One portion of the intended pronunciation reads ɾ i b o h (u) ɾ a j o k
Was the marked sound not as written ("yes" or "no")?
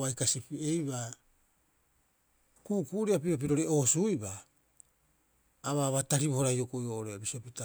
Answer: yes